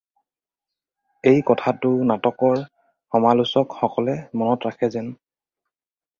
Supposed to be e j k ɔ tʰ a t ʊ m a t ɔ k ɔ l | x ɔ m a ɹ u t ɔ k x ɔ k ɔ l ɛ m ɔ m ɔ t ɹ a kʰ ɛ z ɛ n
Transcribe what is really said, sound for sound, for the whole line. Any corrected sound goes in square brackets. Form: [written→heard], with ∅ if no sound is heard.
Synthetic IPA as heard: e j k ɔ tʰ a t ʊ [m→n] a t ɔ k ɔ [l→ɹ] | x ɔ m a [ɹ→l] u [t→s] ɔ k x ɔ k ɔ l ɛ m ɔ [m→n] ɔ t ɹ a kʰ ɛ z ɛ n